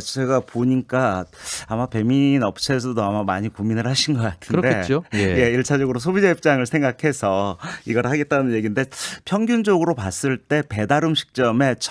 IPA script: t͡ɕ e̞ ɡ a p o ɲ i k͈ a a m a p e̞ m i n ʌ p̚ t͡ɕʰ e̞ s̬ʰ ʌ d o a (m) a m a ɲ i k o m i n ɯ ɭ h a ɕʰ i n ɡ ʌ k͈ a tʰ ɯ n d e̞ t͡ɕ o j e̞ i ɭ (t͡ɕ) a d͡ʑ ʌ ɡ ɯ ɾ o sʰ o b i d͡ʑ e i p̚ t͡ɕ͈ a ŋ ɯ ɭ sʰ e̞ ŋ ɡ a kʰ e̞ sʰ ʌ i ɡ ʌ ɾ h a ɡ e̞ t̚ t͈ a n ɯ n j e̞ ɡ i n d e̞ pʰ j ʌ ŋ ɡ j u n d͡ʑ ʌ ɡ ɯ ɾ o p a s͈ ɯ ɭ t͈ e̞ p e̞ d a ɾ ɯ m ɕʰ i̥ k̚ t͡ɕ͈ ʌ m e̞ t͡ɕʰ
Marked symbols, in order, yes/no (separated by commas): yes, no